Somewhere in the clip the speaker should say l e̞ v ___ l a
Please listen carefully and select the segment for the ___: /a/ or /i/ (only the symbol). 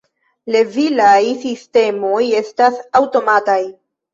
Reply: i